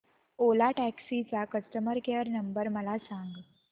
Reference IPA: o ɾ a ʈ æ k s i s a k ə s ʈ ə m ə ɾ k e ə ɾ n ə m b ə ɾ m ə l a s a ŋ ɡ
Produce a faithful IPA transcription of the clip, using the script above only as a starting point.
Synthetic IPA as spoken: o l a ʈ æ k s i t͡s a k ə s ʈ ə m ə ɾ k e ə ɾ n ə m b ə ɾ m ə l a s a ŋ ɡ